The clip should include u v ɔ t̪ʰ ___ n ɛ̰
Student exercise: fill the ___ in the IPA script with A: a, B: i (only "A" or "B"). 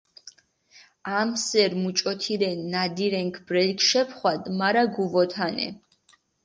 A